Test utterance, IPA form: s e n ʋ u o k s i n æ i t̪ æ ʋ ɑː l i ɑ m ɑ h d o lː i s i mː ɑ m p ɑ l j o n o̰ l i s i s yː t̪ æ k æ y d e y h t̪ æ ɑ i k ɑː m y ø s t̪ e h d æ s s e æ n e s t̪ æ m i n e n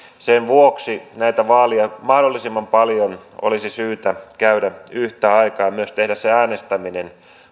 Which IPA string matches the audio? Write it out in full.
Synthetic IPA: s e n ʋ u o k s i n æ i t̪ æ ʋ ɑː l i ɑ m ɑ h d o lː i s i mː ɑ m p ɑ l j o n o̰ l i s i s yː t̪ æ k æ y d æ y h t̪ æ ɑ i k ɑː m y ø s t̪ e h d æ s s e æː n e s t̪ æ m i n e n